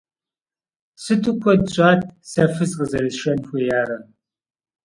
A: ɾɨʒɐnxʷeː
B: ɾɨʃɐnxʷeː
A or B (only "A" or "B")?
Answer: B